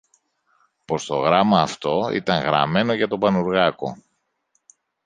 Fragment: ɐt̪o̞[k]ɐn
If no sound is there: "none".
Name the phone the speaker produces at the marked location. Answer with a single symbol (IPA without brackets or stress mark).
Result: p